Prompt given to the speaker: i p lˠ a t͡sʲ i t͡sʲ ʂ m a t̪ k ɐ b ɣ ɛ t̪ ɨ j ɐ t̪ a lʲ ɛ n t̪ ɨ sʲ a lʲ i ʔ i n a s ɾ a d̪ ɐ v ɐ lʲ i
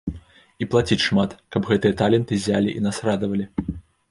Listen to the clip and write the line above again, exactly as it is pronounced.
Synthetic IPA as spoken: i p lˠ a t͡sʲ i t͡sʲ ʂ m a t̪ k ɐ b ɣ ɛ t̪ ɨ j ɐ t̪ a lʲ ɛ n t̪ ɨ zʲ a lʲ i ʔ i n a s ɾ a d̪ ɐ v ɐ lʲ i